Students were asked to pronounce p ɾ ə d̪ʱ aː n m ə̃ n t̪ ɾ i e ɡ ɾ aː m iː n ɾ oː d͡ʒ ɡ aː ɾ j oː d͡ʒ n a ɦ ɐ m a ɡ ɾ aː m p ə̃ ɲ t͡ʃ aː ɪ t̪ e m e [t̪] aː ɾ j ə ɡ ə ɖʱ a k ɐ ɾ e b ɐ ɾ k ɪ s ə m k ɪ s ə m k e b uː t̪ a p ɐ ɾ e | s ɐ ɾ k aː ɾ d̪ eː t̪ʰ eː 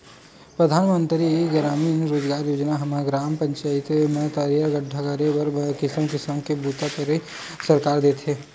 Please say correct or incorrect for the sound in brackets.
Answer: correct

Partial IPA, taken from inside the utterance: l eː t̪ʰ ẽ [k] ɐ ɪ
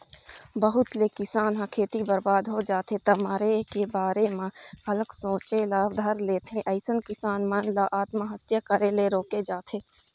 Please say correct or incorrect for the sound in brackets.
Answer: incorrect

